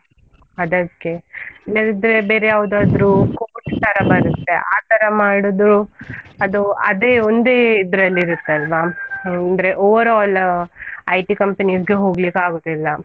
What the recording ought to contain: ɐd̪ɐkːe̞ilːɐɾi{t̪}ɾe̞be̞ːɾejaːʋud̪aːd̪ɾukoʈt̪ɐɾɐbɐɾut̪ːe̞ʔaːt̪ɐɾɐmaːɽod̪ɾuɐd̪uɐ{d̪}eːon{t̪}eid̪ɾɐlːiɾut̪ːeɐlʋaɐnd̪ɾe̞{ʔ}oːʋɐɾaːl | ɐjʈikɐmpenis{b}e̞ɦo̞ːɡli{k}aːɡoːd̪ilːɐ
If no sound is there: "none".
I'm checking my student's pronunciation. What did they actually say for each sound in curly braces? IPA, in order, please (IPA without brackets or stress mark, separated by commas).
d̪, d̪, d̪, ʔ, ɡ, k